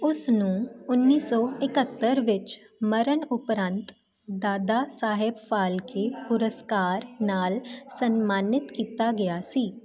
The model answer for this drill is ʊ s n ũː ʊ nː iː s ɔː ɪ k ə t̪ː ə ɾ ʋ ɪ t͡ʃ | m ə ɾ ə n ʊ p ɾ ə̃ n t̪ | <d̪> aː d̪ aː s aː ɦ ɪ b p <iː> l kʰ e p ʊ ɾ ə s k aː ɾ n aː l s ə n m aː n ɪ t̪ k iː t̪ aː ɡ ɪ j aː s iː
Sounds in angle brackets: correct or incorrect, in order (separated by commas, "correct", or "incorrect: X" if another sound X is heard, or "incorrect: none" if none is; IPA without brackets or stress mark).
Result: correct, incorrect: aː